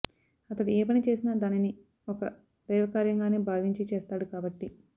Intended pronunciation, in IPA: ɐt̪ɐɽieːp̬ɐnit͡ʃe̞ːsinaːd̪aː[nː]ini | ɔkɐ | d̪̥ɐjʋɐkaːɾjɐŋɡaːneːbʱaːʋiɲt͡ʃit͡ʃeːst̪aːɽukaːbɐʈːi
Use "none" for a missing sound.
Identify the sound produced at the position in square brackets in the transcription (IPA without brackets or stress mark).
n